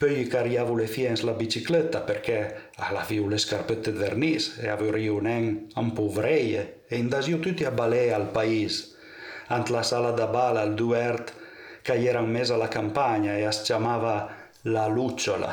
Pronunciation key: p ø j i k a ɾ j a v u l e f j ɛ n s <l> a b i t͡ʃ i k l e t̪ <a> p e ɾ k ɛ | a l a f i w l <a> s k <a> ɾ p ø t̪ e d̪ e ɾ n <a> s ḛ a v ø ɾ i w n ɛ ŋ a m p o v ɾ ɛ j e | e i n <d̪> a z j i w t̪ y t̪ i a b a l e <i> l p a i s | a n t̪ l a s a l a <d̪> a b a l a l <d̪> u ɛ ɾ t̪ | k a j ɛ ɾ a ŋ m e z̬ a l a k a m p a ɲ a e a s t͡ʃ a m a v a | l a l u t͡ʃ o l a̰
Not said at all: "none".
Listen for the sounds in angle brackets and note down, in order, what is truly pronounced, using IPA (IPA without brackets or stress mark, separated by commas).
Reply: l, a, e, a, i, d̪, a, d̪, d̪